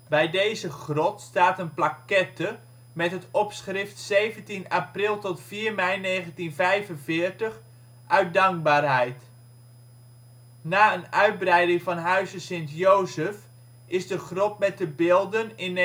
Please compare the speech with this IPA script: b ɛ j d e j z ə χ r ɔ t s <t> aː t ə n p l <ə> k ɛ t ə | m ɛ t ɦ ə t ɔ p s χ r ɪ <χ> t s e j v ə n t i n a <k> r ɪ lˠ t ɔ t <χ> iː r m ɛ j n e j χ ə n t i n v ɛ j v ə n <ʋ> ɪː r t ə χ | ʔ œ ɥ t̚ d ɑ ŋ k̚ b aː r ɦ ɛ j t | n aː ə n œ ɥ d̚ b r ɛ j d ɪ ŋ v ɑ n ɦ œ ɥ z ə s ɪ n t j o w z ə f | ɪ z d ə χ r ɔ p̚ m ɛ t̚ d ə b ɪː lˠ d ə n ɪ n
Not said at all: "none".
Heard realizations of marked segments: t, a, f, p, f, v

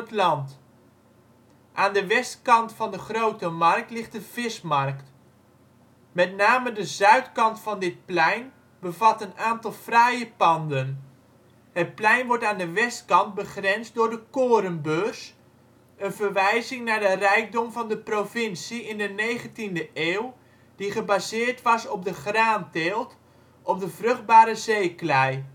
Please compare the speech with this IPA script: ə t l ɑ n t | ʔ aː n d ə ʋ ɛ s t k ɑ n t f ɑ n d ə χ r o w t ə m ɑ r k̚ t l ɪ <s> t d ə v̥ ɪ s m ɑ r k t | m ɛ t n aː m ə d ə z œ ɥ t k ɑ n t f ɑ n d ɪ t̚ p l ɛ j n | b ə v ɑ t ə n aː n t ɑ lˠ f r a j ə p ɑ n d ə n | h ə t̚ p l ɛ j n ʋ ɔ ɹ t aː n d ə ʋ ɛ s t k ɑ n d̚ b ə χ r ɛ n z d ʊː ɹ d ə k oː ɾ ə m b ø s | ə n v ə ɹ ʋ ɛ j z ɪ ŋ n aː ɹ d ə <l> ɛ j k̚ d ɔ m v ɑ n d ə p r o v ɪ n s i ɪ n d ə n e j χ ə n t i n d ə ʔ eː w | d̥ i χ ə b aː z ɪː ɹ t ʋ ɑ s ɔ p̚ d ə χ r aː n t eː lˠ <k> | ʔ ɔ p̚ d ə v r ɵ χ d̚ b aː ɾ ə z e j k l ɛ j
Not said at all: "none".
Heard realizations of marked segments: χ, r, t

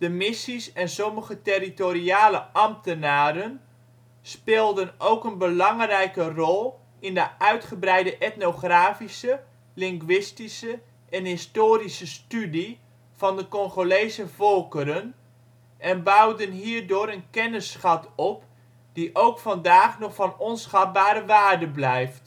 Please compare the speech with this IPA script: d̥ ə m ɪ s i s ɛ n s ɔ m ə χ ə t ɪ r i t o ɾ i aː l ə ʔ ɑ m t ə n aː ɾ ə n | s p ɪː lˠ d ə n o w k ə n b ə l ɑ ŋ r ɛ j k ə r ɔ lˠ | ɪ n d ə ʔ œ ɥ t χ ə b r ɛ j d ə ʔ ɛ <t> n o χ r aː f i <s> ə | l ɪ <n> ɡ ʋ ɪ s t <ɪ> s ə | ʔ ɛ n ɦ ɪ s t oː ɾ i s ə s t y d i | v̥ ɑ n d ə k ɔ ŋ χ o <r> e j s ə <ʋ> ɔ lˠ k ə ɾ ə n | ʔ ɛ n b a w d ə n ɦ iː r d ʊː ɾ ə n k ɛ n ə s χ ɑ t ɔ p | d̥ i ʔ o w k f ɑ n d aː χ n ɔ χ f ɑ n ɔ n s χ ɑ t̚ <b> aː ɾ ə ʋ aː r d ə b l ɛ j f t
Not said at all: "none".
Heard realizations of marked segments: t, s, ŋ, i, l, v, b

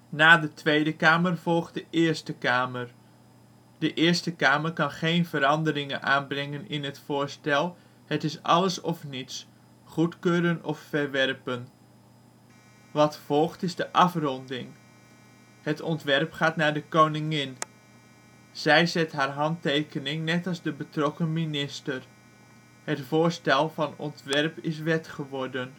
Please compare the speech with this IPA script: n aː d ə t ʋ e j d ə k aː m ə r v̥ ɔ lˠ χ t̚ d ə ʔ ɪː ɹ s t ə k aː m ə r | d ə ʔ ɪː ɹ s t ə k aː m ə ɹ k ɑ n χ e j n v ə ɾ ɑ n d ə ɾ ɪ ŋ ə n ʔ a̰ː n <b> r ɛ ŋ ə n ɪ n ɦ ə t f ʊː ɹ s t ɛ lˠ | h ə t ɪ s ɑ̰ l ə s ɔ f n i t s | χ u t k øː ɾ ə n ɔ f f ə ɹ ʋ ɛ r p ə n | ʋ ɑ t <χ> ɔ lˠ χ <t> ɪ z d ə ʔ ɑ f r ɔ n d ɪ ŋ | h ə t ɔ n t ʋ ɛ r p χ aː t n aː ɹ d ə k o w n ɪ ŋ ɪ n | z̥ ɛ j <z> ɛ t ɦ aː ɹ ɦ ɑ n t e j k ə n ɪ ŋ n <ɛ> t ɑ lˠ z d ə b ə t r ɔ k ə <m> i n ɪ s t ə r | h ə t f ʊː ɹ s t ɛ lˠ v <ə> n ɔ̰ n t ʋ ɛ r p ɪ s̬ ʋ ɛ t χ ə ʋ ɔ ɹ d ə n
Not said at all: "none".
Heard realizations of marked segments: b, f, t, z, ɛ, m, ɑ

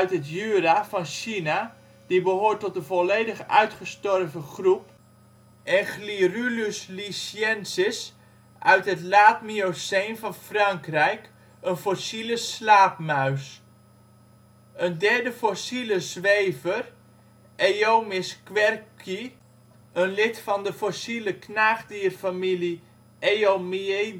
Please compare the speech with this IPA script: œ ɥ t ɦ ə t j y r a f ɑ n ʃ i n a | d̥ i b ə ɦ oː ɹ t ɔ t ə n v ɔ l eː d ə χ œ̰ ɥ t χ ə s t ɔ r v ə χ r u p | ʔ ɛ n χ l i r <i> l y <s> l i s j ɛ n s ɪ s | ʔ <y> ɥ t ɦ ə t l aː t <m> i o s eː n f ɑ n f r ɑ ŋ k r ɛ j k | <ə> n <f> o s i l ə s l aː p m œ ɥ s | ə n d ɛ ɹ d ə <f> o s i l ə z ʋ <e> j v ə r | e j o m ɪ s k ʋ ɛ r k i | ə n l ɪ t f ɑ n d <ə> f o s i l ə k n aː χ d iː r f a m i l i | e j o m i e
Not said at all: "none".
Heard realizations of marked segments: y, s, œ, m, ə, f, f, e, ə

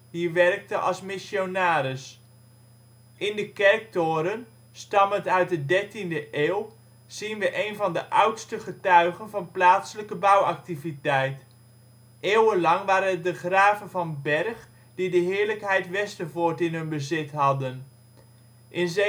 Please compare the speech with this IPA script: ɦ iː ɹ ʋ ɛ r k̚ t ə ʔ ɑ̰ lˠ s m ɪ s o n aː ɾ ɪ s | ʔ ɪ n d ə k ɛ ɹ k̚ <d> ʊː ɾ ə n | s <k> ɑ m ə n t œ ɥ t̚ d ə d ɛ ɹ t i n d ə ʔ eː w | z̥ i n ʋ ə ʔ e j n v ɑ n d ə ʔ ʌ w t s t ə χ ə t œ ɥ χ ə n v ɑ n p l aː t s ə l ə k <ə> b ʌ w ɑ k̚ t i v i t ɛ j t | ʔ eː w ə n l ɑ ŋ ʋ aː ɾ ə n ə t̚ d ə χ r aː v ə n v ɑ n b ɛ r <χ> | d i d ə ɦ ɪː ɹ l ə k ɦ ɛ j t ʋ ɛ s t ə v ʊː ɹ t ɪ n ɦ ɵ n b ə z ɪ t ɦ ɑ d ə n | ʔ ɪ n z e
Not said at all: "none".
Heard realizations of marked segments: t, t, ə, χ

